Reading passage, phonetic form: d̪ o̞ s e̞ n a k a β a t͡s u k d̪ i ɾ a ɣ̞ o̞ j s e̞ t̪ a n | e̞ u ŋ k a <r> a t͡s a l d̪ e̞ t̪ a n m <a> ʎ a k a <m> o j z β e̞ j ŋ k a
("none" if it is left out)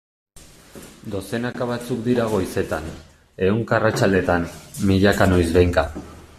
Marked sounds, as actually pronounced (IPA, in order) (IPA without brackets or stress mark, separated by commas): r, i, n